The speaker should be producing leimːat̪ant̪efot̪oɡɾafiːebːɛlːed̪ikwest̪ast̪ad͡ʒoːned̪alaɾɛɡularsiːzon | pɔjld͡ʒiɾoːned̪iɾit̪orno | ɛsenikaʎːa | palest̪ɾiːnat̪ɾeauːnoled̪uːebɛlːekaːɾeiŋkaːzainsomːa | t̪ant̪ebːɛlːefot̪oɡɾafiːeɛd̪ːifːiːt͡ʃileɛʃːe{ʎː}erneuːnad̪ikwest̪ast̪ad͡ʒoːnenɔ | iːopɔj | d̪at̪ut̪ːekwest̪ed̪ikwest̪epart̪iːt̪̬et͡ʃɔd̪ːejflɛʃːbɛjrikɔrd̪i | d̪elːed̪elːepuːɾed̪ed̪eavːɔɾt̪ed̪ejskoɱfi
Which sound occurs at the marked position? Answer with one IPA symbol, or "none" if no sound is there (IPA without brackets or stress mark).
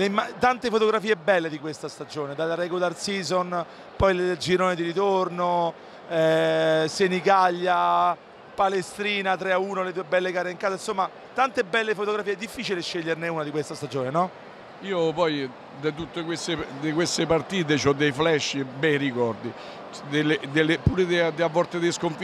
ʎː